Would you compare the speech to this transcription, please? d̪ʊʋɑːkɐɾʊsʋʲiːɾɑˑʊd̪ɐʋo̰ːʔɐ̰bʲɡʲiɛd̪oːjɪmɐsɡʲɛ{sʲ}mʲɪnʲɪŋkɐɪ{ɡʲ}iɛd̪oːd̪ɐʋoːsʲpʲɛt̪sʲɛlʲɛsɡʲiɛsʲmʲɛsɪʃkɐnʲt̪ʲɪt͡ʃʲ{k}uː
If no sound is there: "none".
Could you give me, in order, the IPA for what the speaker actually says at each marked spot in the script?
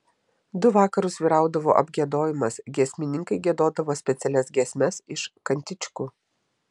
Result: sʲ, ɡʲ, k

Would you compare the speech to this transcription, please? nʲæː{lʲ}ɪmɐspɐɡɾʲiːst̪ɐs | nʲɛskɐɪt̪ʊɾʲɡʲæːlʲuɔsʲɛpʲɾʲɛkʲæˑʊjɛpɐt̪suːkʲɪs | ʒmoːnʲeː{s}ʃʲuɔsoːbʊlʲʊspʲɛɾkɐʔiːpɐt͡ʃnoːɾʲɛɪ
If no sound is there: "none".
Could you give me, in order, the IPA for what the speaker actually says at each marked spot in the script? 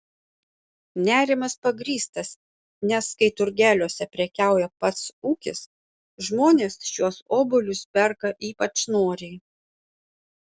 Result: ɾʲ, s

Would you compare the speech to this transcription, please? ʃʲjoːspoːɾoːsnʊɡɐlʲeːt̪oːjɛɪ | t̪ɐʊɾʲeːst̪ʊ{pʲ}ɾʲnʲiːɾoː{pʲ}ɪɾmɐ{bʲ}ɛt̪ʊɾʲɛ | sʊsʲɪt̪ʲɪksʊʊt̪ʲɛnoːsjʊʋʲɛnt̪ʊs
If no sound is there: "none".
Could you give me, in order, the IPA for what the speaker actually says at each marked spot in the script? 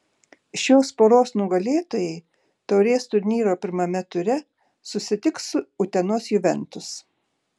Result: none, pʲ, mʲ

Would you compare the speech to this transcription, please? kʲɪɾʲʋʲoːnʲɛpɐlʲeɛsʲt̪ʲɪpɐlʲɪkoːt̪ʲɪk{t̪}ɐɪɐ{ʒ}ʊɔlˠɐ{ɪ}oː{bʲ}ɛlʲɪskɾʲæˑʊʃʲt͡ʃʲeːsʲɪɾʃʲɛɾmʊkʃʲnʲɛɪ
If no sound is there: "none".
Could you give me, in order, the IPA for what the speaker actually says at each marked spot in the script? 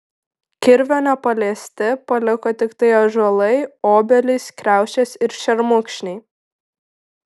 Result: t̪, ʒ, ɪ, bʲ

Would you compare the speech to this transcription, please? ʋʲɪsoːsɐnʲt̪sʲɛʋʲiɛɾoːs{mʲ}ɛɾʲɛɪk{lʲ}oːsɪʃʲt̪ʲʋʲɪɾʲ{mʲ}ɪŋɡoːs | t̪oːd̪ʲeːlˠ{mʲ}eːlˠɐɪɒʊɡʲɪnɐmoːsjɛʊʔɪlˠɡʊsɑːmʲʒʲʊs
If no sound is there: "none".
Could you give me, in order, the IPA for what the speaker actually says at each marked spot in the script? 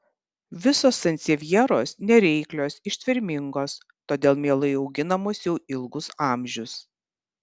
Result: nʲ, lʲ, mʲ, mʲ

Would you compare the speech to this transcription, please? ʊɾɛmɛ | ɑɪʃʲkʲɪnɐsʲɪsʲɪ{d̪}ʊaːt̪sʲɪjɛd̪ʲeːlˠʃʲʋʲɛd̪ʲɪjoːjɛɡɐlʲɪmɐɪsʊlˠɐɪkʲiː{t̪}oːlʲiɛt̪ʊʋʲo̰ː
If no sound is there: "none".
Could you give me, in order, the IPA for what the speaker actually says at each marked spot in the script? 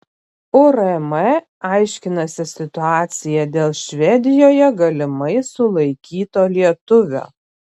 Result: t̪, t̪

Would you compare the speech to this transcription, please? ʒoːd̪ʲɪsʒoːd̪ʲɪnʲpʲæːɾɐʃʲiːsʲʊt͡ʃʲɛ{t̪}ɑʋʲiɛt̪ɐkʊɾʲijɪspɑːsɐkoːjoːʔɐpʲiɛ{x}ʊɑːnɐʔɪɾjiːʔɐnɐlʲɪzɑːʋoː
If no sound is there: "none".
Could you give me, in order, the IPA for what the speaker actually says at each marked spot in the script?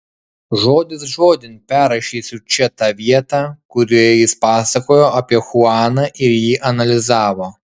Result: t̪, x

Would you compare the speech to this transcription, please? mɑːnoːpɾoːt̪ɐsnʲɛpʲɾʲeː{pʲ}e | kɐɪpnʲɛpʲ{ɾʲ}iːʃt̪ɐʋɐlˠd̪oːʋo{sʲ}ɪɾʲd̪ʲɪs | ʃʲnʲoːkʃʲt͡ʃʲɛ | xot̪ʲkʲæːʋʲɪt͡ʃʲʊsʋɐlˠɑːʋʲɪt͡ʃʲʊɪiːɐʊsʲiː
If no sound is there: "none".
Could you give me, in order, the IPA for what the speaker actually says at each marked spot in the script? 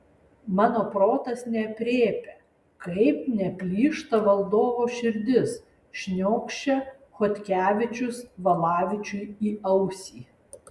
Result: pʲ, lʲ, ʃʲ

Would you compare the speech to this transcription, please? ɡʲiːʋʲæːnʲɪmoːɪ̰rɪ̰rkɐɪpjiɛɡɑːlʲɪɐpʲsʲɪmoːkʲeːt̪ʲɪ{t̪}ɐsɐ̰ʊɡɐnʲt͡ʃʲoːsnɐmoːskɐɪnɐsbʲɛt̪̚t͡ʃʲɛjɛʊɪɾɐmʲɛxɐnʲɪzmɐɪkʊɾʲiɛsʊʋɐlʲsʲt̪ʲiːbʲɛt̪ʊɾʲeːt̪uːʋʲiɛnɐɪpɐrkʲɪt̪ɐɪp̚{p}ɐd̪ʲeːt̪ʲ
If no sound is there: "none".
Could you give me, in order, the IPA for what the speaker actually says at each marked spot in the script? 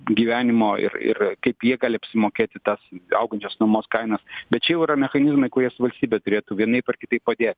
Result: t̪, p

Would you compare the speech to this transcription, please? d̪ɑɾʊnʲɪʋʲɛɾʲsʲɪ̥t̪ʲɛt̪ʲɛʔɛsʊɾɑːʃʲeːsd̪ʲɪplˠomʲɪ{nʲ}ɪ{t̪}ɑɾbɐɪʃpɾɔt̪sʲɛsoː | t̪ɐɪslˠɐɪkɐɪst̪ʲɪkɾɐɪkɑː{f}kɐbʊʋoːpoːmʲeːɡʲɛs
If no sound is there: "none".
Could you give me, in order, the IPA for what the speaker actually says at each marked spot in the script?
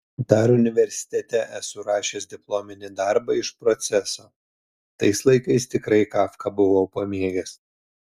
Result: nʲ, d̪, f

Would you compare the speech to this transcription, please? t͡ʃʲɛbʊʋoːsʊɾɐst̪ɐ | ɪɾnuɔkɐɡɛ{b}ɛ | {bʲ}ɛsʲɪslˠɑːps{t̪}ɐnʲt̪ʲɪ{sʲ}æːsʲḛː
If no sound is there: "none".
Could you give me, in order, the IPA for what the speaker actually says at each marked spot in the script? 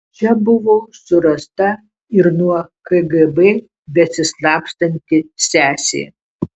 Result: b, bʲ, t̪, sʲ

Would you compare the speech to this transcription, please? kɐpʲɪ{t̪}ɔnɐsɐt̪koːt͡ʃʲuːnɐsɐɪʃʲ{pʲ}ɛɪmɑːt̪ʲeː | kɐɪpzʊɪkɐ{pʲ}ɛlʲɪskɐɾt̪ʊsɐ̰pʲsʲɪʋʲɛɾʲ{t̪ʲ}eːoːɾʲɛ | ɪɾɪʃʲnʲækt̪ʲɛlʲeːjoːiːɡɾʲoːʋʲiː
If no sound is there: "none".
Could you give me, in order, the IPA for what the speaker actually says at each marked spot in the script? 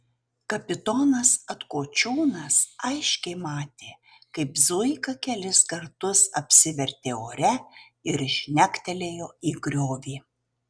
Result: t̪, kʲ, kʲ, t̪ʲ

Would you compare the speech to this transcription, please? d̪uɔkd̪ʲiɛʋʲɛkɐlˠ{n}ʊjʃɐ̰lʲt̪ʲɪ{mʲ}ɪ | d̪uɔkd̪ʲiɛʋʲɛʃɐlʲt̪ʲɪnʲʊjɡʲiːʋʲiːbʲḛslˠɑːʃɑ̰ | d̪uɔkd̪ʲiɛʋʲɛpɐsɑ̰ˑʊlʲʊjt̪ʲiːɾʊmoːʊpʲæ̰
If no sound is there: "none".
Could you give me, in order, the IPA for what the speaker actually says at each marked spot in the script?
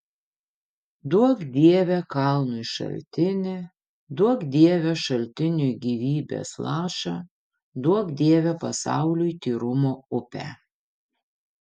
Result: n, nʲ

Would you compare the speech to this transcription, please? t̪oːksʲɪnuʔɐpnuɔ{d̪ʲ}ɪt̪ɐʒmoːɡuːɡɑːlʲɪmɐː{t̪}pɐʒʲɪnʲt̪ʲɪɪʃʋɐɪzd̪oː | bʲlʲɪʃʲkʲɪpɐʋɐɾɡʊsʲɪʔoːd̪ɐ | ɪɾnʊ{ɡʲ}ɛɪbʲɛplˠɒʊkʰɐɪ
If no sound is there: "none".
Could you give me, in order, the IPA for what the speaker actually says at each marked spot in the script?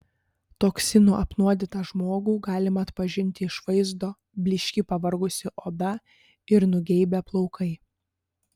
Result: d̪ʲ, t̪, ɡʲ

